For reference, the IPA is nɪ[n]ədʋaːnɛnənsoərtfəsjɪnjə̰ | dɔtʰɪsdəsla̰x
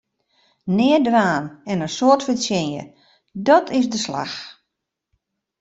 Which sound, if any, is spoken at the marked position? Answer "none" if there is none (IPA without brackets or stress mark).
none